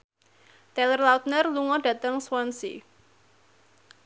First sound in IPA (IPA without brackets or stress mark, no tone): t̪